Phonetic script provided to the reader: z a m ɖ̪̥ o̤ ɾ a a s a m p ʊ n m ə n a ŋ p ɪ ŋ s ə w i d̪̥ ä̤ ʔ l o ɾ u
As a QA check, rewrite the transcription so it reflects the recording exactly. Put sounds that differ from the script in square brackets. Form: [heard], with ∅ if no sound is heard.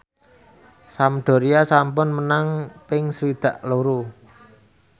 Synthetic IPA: [s] a m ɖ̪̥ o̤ ɾ [i] a s a m p ʊ n m ə n a ŋ p ɪ ŋ s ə w i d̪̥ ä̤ ʔ l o ɾ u